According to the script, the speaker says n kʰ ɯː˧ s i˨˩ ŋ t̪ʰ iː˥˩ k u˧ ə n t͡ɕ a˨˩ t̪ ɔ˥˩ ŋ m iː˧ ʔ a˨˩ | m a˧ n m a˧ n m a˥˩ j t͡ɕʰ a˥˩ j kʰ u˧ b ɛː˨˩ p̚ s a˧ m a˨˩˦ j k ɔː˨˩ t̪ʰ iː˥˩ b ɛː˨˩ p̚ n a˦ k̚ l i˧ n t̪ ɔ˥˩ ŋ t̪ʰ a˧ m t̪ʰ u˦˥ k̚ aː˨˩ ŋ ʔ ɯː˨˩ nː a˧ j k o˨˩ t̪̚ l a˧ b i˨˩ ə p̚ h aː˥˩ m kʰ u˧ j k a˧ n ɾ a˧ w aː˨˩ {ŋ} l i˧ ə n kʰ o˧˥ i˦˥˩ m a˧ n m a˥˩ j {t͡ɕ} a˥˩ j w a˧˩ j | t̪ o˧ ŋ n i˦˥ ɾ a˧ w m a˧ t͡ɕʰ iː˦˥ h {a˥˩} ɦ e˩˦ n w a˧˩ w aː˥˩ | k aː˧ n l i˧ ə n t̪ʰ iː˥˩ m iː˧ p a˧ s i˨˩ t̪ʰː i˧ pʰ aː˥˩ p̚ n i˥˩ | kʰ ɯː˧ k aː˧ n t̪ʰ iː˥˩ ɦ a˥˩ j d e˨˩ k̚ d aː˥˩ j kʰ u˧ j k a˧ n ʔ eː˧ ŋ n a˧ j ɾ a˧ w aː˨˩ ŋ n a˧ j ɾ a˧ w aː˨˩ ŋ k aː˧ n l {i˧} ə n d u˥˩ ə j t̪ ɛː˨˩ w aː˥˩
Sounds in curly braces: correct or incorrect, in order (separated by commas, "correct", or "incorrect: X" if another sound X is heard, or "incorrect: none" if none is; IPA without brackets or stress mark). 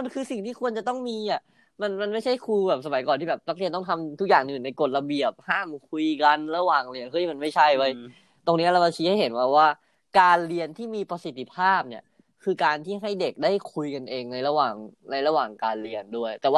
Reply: correct, incorrect: t͡ɕʰ, correct, correct